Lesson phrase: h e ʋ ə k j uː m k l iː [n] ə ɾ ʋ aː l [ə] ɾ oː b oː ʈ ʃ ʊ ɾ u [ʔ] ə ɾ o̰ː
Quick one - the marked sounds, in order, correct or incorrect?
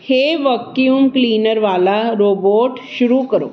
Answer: correct, incorrect: a, incorrect: k

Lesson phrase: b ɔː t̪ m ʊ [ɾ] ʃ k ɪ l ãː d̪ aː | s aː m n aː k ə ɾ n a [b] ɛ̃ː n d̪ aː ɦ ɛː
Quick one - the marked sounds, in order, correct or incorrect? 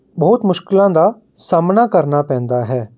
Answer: incorrect: none, incorrect: p

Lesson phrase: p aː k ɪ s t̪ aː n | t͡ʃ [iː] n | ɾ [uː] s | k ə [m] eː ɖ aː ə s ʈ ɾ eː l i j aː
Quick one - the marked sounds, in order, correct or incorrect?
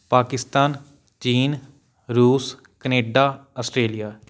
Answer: correct, correct, incorrect: n

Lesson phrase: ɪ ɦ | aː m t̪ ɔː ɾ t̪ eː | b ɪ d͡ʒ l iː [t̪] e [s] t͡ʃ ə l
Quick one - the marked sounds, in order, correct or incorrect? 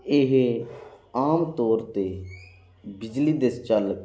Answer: incorrect: d̪, correct

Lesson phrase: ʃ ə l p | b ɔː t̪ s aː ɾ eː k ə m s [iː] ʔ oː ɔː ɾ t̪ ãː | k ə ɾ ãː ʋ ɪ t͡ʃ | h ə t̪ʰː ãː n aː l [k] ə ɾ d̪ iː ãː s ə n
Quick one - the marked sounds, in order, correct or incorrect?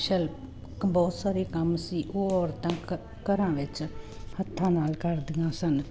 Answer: correct, correct

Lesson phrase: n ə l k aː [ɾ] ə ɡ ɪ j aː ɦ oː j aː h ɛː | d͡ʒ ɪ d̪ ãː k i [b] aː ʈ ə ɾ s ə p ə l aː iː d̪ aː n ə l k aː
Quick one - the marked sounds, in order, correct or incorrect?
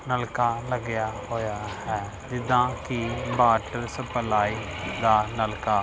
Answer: incorrect: l, correct

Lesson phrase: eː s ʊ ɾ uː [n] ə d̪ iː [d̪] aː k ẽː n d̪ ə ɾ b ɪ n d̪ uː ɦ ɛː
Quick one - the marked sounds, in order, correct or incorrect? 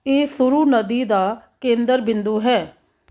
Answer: correct, correct

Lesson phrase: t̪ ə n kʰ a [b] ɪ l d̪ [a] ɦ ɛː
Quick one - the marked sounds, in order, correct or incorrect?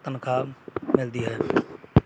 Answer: incorrect: m, incorrect: i

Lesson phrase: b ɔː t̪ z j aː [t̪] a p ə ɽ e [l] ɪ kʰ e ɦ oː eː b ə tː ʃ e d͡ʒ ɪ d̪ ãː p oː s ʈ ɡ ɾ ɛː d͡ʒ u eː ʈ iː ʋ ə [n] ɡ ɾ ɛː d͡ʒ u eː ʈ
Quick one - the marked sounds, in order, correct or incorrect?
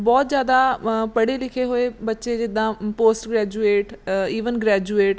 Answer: incorrect: d̪, correct, correct

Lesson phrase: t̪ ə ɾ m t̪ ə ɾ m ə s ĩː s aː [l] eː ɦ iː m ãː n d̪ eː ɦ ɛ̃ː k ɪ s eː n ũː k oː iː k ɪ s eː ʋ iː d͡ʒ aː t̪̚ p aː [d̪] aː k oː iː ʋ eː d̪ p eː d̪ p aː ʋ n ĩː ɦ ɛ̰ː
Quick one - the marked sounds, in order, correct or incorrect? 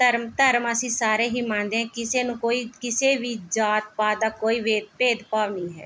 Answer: incorrect: ɾ, correct

